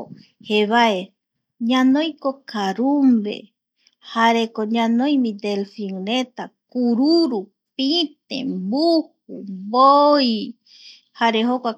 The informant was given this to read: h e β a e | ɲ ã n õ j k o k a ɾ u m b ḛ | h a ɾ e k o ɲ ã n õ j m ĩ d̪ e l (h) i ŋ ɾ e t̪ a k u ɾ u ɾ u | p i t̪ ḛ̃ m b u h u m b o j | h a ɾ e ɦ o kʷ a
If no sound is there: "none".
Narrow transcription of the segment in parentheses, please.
f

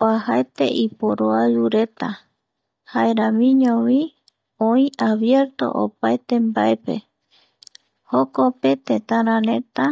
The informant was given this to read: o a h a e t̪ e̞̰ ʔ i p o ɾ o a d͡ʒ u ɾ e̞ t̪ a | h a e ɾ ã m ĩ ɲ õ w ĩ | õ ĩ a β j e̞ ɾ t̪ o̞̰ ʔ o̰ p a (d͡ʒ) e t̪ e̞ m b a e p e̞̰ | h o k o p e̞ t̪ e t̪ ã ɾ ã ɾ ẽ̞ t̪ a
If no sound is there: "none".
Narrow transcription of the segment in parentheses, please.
none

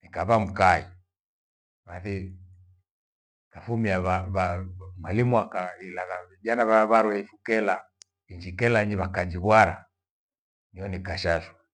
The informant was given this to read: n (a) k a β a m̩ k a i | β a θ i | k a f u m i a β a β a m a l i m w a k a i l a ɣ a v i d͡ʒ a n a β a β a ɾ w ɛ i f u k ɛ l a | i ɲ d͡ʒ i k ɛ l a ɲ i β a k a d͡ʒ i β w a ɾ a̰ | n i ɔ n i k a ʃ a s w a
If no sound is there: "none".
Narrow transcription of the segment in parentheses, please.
i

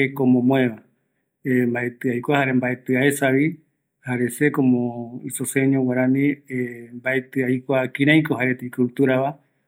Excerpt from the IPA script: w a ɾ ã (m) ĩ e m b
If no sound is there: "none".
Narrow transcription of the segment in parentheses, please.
n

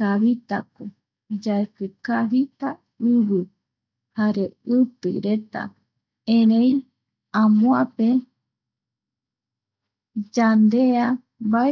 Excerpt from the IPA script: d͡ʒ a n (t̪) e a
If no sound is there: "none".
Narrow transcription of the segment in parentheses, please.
d̪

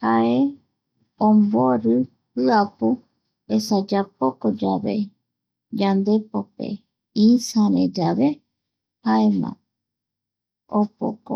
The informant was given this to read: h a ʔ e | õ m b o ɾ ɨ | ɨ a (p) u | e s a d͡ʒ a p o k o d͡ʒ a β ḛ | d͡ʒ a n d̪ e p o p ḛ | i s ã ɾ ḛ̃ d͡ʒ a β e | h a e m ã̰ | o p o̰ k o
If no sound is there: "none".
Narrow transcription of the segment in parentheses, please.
p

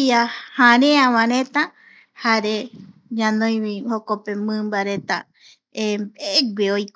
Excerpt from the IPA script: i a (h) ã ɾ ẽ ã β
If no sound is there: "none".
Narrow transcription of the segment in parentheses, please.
h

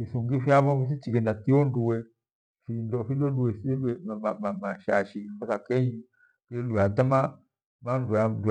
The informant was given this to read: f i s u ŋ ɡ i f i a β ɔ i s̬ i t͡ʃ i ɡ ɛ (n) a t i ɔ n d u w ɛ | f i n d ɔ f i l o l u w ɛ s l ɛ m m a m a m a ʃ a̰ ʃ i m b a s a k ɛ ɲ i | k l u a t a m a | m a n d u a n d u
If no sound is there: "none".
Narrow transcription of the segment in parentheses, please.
n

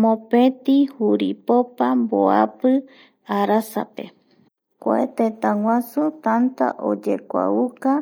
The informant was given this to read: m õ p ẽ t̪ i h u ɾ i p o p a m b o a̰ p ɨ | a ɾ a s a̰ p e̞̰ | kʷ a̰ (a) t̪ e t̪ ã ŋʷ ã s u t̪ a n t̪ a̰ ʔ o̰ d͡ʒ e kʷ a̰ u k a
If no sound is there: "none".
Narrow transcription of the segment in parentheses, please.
e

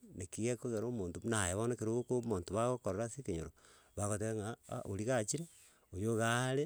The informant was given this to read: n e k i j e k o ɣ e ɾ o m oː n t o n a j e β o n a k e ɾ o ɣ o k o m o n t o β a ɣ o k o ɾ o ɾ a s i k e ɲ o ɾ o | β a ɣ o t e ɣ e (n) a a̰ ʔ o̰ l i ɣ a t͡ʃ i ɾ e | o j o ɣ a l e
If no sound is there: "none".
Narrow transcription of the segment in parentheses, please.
ŋ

